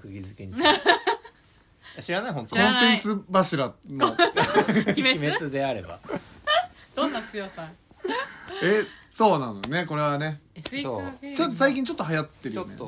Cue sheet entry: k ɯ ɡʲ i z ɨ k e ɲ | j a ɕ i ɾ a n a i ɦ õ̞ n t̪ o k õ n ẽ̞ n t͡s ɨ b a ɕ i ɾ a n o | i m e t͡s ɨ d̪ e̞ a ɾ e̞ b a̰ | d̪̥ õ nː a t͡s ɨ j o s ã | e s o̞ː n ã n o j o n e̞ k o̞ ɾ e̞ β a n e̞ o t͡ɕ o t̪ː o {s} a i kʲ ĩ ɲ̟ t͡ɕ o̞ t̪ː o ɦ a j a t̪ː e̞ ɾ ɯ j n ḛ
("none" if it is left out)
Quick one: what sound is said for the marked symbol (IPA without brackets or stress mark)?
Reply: s